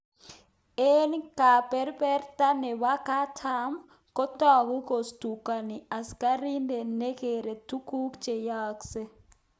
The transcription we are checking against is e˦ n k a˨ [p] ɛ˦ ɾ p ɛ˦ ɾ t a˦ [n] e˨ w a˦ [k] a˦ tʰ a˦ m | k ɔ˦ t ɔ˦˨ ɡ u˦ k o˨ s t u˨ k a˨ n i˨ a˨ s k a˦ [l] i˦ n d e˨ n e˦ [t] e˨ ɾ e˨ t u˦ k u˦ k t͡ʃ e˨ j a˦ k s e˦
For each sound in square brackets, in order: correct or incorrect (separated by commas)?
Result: correct, correct, correct, incorrect, incorrect